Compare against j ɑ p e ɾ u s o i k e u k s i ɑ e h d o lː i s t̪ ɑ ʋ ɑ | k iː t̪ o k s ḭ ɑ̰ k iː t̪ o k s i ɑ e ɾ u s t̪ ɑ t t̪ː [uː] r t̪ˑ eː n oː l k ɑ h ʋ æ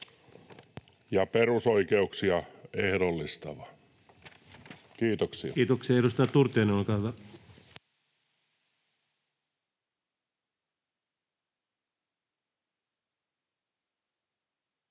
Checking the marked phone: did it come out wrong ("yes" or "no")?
yes